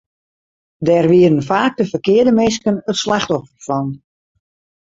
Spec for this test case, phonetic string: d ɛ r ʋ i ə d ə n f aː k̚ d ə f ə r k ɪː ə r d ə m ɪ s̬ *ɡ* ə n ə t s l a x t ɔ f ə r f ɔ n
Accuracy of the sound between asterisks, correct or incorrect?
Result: incorrect